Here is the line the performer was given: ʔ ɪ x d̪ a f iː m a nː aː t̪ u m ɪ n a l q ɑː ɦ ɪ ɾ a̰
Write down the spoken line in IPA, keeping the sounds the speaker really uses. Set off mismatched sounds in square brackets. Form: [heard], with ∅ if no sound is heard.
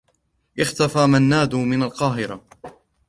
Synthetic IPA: ʔ ɪ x [t̪] a f [aː] m a nː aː [d̪] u m ɪ n a l q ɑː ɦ ɪ ɾ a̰